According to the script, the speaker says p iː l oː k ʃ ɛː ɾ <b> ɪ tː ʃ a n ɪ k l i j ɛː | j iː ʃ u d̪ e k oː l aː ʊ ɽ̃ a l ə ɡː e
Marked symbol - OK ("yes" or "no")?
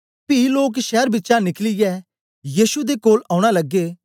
yes